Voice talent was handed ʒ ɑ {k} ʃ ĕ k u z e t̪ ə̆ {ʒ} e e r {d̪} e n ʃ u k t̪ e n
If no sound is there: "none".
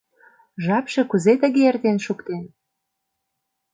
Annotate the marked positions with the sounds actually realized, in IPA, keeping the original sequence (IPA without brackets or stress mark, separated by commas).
p, ɣ, t̪